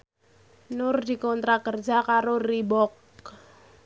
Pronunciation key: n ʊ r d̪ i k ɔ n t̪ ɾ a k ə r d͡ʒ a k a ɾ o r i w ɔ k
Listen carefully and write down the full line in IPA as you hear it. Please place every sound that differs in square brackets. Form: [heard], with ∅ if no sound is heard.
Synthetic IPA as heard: n ʊ r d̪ i k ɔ n t̪ ɾ a k ə r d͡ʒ a k a ɾ o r i [b] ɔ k